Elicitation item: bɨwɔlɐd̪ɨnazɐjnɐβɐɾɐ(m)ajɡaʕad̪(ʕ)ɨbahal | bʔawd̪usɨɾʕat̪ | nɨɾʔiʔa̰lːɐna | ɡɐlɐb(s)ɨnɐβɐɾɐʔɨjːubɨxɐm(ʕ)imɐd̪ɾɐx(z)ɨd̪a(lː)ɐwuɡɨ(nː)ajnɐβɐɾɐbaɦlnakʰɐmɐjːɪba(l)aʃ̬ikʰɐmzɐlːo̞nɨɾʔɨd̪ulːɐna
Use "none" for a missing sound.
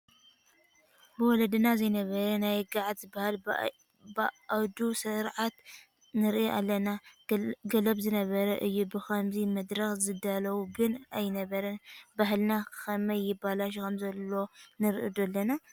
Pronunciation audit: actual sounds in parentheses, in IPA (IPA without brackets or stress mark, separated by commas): n, z, z, z, z, l, n, l